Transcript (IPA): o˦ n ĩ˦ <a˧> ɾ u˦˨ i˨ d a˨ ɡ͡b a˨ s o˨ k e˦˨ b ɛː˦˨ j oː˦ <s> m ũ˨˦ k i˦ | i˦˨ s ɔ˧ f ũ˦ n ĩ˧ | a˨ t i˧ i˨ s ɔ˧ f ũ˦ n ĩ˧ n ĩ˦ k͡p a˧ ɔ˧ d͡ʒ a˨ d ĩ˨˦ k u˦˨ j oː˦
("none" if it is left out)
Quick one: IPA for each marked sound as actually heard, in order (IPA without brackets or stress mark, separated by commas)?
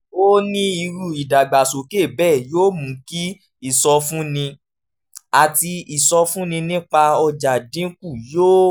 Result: i˧, none